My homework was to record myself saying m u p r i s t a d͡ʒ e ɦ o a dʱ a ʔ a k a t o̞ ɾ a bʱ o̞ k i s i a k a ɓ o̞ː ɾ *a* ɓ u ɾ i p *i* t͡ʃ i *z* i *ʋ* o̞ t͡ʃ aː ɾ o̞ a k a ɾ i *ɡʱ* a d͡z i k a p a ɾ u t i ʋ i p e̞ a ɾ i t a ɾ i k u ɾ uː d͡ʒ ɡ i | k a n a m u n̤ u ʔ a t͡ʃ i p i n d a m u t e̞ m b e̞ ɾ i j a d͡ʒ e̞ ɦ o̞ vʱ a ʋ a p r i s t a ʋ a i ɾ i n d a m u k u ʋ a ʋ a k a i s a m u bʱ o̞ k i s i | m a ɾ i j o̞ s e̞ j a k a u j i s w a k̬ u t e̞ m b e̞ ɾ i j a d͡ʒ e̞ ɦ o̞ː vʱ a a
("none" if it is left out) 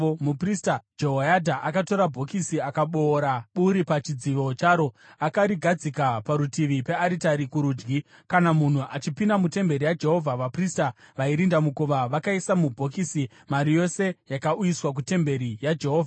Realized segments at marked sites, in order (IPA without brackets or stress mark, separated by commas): a, a, d͡z, ʋ, ɡʱ